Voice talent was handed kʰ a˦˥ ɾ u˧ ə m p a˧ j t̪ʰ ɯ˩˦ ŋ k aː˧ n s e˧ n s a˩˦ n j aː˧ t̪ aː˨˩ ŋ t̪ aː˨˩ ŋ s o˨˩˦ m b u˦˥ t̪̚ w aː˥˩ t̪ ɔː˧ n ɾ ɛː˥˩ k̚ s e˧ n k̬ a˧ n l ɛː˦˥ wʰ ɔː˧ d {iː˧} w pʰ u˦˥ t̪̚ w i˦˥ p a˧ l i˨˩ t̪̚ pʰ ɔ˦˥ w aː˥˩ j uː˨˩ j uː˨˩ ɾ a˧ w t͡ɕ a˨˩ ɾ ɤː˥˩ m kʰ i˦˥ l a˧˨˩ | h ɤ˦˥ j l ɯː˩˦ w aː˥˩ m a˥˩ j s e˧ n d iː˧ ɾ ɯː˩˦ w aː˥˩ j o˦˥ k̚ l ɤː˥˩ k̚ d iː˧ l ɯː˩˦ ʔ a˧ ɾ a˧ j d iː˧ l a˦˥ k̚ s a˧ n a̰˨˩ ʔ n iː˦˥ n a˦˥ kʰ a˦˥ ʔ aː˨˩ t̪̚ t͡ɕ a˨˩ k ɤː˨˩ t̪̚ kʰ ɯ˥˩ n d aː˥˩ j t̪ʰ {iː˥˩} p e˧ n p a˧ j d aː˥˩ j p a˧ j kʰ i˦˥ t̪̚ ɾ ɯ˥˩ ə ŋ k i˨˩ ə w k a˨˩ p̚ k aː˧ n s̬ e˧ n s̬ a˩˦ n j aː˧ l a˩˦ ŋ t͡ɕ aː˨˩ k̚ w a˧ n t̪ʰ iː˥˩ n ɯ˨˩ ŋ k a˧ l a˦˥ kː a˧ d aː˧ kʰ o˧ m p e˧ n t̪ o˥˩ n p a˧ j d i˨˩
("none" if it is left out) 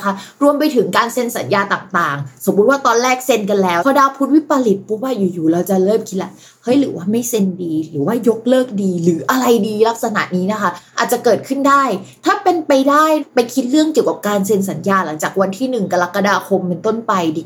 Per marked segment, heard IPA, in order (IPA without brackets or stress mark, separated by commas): aː˧, aː˥˩